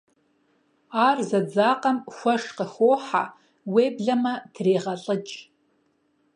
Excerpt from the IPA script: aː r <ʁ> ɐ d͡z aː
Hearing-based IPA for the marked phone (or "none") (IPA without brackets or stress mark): z